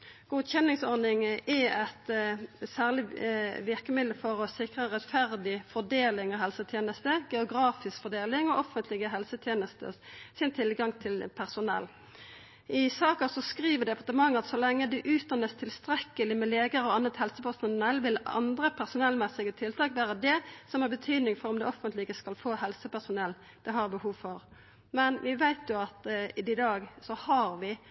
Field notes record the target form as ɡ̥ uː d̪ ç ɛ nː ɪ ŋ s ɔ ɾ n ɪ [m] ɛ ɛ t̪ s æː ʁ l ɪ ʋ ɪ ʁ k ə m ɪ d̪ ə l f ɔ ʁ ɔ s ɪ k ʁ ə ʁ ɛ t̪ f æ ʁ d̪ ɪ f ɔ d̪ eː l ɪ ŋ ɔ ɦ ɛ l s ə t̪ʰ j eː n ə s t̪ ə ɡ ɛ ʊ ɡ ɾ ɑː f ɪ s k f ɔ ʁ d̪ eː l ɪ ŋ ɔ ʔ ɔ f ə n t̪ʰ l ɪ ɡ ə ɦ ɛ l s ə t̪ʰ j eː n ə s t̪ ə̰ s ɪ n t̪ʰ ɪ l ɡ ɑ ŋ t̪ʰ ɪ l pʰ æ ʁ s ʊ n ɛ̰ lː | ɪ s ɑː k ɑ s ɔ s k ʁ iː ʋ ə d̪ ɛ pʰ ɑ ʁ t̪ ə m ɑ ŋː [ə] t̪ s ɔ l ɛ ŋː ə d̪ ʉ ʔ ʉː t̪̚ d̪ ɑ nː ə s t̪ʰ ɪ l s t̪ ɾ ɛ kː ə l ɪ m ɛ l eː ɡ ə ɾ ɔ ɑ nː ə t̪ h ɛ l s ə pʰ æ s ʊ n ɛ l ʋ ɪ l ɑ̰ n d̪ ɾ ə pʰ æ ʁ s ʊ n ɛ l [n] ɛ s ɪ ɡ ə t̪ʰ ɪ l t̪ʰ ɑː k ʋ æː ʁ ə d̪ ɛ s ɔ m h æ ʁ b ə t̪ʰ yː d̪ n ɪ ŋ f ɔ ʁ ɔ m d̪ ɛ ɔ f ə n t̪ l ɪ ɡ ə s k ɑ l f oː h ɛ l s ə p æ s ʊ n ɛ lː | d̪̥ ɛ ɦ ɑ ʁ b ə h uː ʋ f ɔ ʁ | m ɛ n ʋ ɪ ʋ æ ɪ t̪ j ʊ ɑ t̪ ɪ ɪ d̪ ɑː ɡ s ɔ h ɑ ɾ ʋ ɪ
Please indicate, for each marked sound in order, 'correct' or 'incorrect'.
incorrect: ŋ, incorrect: ɑ, incorrect: m

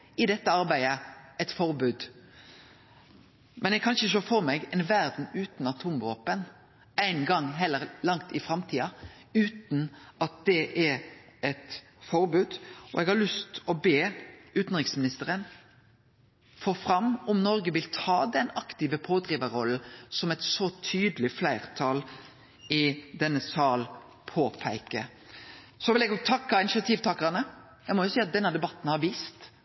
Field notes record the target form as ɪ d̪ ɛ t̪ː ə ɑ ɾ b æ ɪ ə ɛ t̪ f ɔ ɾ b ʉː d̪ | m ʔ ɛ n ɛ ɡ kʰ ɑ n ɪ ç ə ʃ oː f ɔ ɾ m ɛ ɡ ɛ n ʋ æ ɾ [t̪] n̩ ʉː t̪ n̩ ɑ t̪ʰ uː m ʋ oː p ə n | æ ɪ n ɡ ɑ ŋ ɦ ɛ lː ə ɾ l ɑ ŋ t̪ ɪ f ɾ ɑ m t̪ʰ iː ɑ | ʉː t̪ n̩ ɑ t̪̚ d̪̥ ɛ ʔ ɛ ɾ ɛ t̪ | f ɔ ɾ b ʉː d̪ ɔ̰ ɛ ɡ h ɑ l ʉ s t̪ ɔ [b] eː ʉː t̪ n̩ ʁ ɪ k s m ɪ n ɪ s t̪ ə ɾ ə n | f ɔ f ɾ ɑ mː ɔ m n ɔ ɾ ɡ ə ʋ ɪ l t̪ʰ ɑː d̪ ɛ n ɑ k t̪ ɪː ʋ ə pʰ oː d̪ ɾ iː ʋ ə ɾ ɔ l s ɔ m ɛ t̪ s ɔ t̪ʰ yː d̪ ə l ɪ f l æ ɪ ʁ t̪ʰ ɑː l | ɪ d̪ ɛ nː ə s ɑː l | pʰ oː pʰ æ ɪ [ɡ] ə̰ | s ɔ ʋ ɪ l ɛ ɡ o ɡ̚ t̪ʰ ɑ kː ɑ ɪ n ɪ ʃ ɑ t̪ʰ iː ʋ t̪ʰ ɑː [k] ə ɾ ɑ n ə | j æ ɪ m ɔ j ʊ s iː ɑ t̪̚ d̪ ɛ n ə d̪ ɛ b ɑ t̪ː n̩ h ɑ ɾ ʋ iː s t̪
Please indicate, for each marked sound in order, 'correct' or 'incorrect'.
incorrect: d̪, correct, incorrect: k, correct

